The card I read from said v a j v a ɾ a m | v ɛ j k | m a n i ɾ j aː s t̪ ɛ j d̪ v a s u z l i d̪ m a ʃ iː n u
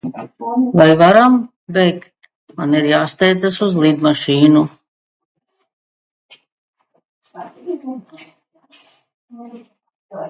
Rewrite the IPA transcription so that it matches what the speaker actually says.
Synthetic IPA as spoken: v a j v a ɾ a m | b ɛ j k | m a n i ɾ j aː s t̪ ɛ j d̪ z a s u z l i d̪ m a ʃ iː n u